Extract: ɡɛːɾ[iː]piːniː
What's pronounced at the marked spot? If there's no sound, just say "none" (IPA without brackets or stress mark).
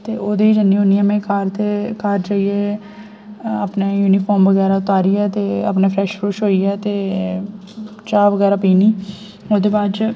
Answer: aː